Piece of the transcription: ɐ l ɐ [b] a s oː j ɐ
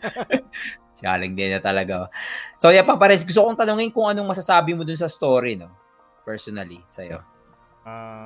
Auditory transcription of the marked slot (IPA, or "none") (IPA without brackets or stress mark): ɡ